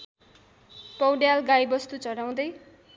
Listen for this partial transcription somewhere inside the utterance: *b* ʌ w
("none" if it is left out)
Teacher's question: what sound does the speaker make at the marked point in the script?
p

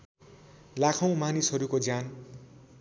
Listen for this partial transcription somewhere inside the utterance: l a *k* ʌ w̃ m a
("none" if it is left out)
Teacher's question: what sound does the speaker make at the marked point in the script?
kʰ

